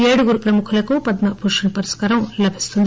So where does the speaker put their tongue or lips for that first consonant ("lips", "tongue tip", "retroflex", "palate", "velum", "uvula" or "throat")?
retroflex